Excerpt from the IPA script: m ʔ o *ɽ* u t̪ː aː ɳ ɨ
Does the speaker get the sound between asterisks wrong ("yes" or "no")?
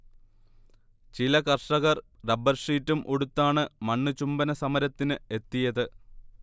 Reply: no